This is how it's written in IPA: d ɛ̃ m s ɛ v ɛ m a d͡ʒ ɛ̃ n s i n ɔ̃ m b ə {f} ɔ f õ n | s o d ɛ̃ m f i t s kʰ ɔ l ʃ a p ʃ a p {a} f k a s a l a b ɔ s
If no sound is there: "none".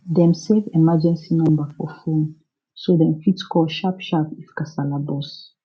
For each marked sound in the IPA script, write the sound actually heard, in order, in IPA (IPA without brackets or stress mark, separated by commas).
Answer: f, i